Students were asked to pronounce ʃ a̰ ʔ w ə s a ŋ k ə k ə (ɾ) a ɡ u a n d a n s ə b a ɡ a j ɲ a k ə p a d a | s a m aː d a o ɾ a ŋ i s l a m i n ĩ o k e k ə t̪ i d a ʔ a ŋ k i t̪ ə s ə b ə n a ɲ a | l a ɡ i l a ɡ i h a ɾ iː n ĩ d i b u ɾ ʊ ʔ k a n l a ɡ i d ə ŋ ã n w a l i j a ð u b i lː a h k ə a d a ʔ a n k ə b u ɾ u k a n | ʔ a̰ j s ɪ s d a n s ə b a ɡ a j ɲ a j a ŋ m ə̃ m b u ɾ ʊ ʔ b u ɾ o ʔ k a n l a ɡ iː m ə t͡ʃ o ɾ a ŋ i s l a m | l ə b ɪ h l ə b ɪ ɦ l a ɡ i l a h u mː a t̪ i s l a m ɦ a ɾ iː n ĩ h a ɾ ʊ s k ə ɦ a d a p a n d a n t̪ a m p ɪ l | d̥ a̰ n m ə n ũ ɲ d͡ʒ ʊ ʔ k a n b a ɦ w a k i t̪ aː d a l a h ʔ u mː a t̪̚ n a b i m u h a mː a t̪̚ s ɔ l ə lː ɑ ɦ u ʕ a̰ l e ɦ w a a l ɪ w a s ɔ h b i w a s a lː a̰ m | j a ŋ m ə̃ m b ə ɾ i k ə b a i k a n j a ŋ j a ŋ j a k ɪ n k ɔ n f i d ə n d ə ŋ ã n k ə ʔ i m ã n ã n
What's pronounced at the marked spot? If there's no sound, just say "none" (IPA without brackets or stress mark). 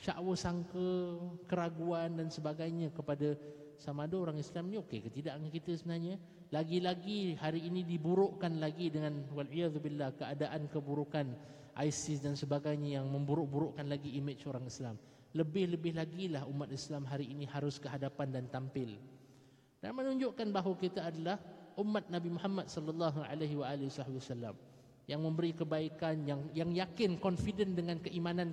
ɾ